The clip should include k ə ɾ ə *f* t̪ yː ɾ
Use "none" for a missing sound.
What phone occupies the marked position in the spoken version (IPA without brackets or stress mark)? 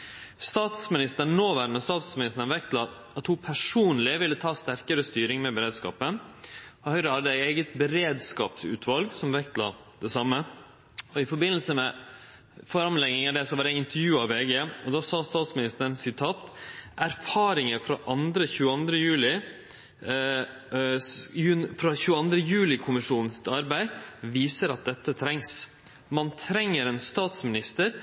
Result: s